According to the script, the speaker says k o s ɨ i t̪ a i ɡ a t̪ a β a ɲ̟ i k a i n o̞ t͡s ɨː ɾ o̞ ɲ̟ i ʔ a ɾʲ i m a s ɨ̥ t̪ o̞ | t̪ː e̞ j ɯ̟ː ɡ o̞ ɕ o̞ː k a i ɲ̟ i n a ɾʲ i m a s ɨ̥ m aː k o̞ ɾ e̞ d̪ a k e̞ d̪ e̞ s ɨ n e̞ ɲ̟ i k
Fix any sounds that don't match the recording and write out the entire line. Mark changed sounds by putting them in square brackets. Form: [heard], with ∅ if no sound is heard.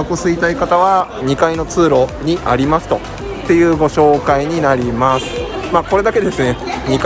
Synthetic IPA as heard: k o s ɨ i t̪ a i [k] a t̪ a β a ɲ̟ i k a i n o̞ t͡s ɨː ɾ o̞ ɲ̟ i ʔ a ɾʲ i m a s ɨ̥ t̪ o̞ | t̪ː e̞ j ɯ̟ː ɡ o̞ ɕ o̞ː k a i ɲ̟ i n a ɾʲ i m a s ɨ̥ m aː k o̞ ɾ e̞ d̪ a k e̞ d̪ e̞ s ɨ n e̞ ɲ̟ i k